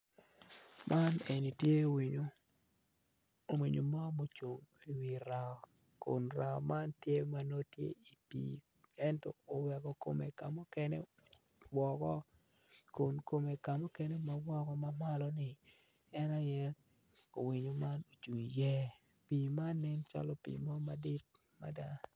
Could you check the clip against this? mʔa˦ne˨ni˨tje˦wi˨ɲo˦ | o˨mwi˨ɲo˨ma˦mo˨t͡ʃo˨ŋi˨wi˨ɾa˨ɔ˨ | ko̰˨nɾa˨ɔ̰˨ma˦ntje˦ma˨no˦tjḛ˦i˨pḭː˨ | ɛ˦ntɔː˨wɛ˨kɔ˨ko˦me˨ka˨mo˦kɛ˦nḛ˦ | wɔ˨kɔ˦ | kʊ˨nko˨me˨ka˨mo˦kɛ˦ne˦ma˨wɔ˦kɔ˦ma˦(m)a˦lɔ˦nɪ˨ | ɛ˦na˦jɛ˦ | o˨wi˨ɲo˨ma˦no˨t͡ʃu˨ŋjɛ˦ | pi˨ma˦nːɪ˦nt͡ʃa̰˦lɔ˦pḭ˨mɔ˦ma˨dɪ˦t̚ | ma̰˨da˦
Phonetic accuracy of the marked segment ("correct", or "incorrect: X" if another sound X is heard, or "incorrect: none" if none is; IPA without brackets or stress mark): correct